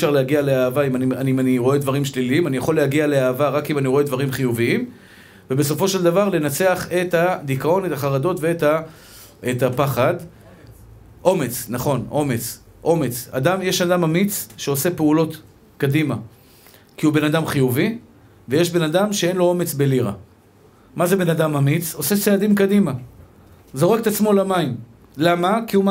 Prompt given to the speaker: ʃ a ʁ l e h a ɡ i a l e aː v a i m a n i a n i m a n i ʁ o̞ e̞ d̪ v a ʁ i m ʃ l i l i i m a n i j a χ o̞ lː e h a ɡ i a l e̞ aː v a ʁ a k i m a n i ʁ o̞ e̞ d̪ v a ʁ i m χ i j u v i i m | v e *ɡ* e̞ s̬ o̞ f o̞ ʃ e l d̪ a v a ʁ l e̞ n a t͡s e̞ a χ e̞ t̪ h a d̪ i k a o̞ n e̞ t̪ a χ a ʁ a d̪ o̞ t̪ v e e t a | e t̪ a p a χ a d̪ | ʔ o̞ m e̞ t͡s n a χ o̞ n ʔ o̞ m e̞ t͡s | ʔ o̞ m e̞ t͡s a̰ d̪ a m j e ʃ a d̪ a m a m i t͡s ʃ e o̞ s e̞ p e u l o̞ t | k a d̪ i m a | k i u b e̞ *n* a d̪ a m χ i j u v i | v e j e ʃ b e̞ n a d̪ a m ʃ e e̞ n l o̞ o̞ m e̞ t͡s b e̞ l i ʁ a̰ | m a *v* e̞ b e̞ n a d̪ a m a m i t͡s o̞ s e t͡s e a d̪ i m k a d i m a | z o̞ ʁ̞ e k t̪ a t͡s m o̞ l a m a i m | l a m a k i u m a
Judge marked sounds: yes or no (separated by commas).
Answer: no, yes, no